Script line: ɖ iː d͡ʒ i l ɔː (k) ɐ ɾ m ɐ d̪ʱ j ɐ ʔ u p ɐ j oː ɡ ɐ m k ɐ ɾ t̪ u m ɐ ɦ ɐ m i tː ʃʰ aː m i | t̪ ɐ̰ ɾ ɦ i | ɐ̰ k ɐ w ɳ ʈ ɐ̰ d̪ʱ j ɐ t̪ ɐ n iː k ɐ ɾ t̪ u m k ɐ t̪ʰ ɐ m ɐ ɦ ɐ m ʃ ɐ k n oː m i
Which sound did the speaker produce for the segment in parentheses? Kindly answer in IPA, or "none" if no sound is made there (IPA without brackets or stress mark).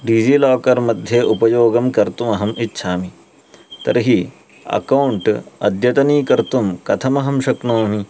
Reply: k